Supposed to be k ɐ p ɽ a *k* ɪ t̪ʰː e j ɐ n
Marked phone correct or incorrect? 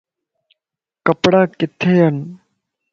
correct